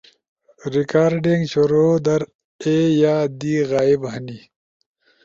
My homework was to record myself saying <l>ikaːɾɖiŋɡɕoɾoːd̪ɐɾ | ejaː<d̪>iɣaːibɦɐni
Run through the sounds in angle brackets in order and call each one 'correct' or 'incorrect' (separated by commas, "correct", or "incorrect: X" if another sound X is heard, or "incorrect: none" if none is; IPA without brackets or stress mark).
incorrect: ɾ, correct